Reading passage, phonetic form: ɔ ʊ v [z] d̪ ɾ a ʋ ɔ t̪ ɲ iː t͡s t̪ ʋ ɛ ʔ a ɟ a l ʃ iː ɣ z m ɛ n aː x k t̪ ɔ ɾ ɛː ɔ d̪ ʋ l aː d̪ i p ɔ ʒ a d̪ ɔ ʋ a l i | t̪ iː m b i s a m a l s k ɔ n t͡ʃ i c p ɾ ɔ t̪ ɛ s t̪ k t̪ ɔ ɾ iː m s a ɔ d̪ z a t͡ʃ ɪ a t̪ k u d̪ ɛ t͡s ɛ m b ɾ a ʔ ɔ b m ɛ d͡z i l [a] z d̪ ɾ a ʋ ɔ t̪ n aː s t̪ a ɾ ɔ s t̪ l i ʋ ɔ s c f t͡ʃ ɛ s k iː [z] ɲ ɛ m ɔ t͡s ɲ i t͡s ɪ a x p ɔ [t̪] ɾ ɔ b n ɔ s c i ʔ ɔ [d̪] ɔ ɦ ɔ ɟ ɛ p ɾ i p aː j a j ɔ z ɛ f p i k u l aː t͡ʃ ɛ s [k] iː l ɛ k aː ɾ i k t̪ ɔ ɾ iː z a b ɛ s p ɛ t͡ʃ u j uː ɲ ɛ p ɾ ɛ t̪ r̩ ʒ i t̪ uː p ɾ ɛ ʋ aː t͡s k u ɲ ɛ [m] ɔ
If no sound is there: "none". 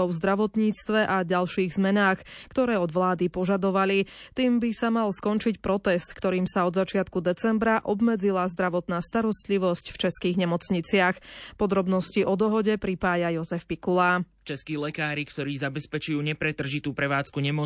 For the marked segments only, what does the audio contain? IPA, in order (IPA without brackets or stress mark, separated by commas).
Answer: z, a, ɣ, d̪, d̪, k, m